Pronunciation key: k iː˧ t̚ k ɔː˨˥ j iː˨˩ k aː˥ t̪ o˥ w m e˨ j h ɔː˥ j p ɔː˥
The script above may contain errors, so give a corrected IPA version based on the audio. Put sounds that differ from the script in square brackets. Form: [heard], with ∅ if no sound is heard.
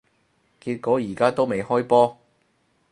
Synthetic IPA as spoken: k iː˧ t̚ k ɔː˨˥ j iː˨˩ k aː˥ t̪ o˥ w m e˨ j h ɔː˥ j p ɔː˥